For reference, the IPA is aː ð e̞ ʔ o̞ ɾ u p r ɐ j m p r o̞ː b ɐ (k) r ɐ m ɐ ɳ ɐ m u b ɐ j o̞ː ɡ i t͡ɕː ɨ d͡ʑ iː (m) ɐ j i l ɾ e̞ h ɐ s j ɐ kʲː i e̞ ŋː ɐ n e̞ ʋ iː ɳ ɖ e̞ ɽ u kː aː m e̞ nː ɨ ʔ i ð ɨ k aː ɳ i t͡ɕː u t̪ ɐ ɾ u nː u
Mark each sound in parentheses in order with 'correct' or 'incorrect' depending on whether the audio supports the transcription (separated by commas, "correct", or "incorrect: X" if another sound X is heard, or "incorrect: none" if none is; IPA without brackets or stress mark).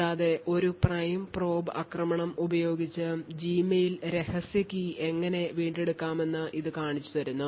correct, correct